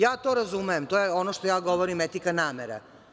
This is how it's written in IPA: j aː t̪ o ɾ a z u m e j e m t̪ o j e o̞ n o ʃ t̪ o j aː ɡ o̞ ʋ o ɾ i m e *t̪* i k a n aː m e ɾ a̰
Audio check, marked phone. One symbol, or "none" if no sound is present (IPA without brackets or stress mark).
t̪